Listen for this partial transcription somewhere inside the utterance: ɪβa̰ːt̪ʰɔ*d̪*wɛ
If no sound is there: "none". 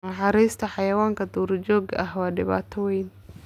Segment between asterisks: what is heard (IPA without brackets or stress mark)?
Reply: none